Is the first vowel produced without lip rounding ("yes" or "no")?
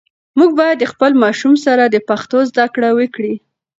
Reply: no